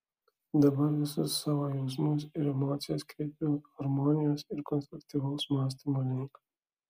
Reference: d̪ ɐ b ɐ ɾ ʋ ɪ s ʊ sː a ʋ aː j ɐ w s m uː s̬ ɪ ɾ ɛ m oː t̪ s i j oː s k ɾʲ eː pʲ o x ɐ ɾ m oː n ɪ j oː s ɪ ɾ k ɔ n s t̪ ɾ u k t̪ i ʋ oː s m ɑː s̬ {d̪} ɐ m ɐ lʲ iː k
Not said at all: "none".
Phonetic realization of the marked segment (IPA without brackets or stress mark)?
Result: t̪